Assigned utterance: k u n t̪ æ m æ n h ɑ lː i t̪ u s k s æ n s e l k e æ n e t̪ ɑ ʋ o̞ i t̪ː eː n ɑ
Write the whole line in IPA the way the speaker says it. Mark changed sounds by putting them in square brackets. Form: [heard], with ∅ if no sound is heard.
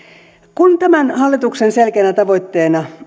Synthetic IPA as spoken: k u n t̪ æ m æ n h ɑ lː i t̪ u [∅] k s [e] n s e l k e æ n [æ] t̪ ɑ ʋ o̞ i t̪ː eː n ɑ